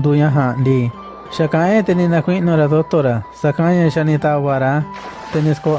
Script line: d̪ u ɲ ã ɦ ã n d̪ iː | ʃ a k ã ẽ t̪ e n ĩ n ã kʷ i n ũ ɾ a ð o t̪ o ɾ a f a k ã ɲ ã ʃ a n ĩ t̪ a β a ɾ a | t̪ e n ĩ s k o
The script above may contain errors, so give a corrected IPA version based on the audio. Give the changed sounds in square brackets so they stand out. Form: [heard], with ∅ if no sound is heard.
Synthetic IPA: d̪ u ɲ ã ɦ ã n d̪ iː | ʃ a k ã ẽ t̪ e n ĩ n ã kʷ i n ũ ɾ a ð o t̪ o ɾ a [s] a k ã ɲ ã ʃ a n ĩ t̪ a β a ɾ a | t̪ e n ĩ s k o